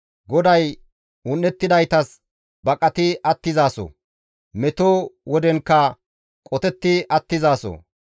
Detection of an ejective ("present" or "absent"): present